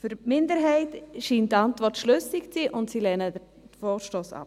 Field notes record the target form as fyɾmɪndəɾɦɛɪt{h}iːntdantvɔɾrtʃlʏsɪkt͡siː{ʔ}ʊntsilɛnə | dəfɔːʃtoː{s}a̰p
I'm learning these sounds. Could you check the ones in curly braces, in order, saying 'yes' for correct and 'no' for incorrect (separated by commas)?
no, yes, yes